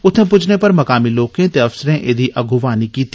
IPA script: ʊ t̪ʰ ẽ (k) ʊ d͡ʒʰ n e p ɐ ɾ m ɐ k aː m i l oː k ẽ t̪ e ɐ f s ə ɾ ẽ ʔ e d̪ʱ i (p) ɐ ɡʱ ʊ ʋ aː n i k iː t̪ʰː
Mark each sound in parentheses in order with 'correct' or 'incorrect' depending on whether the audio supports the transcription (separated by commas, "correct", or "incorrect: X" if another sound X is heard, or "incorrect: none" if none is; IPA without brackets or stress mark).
incorrect: p, incorrect: ʔ